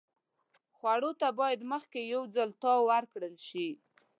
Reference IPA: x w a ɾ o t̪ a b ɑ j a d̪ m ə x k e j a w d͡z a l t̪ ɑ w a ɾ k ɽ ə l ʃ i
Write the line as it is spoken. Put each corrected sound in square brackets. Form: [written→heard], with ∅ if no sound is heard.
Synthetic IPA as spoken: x w a [ɾ→ɽ] o t̪ a b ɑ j a d̪ m ə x k e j a w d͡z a l t̪ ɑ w a ɾ k ɽ ə l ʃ i